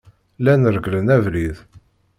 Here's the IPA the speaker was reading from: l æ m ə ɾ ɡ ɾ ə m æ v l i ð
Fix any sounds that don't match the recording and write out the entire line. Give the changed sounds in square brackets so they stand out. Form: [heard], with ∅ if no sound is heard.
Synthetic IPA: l æ [n] ə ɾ ɡ [l] ə [n] æ v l i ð